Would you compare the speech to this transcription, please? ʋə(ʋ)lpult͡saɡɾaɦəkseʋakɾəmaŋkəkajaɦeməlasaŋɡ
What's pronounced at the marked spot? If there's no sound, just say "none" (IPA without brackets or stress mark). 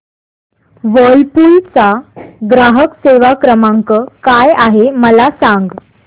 none